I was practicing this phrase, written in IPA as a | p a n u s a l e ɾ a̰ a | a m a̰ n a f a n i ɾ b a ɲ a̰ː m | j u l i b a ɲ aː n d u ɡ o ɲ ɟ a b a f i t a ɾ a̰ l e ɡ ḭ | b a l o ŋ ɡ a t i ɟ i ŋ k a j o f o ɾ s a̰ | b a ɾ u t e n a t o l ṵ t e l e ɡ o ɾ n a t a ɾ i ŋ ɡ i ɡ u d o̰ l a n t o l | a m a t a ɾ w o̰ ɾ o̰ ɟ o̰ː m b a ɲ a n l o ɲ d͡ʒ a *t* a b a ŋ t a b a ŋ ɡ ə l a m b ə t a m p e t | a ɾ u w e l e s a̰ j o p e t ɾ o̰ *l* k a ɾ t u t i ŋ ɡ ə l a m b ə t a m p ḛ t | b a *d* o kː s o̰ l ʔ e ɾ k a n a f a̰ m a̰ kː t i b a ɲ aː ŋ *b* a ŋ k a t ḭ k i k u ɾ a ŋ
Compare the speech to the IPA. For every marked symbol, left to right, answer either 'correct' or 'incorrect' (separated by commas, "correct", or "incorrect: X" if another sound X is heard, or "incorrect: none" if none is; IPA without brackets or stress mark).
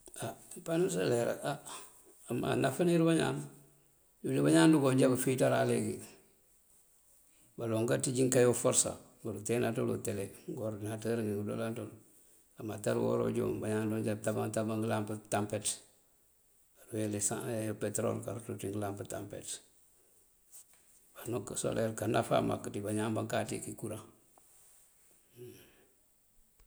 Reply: correct, correct, incorrect: n, correct